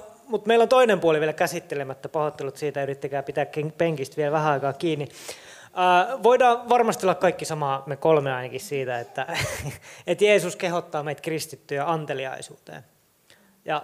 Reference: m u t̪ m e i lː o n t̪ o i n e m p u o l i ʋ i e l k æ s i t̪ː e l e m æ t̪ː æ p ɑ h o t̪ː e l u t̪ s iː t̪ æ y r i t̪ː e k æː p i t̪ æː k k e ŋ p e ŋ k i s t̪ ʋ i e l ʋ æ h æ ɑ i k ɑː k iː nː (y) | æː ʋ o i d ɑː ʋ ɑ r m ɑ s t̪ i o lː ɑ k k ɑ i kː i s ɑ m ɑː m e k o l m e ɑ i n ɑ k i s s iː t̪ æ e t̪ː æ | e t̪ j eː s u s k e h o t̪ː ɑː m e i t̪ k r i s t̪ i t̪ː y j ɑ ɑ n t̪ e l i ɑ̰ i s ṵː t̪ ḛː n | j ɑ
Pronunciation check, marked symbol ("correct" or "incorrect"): incorrect